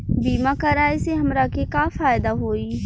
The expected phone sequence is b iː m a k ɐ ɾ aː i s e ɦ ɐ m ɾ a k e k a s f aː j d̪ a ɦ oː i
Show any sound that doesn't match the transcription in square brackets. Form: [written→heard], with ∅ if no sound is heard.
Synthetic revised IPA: b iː m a k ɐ ɾ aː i s e ɦ ɐ m ɾ a k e k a [s→∅] f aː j d̪ a ɦ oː i